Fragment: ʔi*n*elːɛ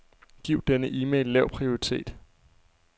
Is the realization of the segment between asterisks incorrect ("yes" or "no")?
yes